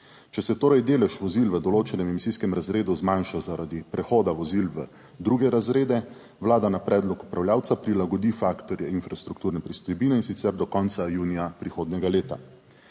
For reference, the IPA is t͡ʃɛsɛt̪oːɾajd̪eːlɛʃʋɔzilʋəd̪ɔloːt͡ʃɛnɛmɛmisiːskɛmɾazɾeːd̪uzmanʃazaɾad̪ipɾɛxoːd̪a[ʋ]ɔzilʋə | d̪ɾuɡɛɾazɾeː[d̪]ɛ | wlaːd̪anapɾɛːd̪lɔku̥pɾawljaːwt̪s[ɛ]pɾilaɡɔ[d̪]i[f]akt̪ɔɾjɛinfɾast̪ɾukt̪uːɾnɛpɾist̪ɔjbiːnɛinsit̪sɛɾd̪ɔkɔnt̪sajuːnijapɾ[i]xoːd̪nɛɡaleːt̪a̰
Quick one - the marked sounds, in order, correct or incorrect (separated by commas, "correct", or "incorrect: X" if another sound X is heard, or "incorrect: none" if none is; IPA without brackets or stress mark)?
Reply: correct, correct, incorrect: a, correct, correct, correct